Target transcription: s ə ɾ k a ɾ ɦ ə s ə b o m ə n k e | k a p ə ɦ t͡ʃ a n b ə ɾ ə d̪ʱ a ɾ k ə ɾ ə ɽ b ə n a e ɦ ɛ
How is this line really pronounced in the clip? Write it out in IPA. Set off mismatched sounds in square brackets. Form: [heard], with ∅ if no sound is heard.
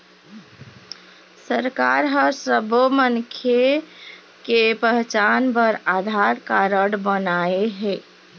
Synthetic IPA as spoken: s ə ɾ k a ɾ ɦ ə s ə b o m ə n [kʰ] e | k [e] p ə ɦ t͡ʃ a n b ə ɾ [a] d̪ʱ a ɾ k [a] ɾ ə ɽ b ə n a e ɦ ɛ